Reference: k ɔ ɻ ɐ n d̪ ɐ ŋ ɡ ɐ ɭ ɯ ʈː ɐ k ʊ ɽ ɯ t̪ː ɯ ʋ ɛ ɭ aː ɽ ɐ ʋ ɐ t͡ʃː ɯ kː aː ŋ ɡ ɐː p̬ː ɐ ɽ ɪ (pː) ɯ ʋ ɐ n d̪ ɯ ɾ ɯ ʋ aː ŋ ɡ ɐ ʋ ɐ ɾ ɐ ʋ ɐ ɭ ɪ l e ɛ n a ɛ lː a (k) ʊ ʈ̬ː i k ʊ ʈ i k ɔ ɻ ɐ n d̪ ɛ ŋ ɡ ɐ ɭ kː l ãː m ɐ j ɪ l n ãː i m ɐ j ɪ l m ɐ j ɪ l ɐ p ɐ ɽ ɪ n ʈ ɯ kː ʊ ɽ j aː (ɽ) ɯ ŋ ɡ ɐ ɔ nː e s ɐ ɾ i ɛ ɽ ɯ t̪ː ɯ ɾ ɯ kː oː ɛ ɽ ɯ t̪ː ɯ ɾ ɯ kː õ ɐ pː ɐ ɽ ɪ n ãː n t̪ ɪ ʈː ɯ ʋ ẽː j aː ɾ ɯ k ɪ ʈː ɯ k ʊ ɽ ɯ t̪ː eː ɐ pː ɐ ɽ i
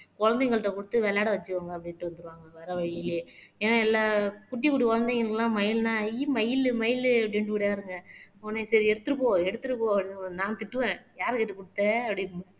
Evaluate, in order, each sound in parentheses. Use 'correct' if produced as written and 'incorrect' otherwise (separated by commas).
incorrect, correct, incorrect